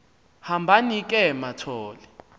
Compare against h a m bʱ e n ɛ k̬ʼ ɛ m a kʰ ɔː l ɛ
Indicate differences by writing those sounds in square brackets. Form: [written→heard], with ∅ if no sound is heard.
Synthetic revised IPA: h a m bʱ [e→a] n [ɛ→i] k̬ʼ ɛ m a [kʰ→tʰ] ɔː l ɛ